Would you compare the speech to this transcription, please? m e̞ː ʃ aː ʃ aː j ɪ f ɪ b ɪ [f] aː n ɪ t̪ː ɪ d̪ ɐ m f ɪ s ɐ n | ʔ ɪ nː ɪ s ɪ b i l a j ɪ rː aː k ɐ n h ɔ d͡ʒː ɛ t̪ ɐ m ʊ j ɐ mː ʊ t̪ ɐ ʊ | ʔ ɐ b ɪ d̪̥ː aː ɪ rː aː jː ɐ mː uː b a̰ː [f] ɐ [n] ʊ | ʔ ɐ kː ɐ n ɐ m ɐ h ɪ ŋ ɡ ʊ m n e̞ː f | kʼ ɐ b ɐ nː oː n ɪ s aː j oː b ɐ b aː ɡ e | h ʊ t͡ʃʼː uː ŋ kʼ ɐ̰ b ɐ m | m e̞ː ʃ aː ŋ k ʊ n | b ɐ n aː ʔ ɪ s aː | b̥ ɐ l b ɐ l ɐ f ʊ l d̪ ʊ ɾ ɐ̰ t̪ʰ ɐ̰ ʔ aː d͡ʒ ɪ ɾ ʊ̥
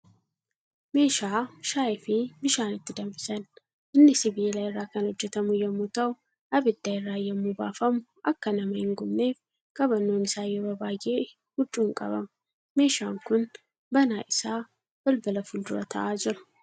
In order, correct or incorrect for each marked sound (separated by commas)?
incorrect, correct, incorrect